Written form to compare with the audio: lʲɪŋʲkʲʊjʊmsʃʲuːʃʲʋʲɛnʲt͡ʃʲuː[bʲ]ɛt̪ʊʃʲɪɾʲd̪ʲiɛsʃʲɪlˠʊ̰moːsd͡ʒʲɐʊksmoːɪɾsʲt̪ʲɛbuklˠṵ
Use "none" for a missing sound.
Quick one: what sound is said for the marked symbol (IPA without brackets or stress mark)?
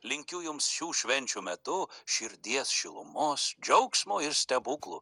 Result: mʲ